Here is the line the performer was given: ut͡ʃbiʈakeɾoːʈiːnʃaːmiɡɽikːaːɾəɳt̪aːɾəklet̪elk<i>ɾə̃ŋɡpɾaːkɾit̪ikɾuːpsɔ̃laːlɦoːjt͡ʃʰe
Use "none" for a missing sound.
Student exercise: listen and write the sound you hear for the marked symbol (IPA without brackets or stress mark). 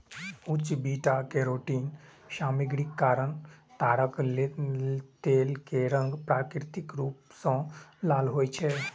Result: e